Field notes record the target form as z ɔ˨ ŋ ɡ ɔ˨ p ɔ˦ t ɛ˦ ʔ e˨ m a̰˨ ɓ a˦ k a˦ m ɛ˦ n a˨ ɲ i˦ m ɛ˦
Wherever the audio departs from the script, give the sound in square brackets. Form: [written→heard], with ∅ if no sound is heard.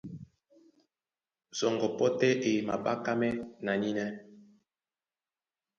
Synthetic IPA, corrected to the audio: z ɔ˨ ŋ ɡ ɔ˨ p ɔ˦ t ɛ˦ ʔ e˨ m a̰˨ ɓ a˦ k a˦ m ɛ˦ n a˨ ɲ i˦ [m→n] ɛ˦